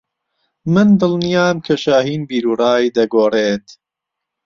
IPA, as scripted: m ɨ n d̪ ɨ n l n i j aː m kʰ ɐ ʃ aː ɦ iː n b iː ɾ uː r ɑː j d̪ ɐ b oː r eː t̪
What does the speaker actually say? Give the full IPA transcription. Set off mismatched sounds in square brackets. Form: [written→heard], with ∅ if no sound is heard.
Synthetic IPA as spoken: m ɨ n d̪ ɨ [n→∅] l n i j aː m kʰ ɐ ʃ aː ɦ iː n b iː ɾ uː r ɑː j d̪ ɐ [b→ɡ] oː r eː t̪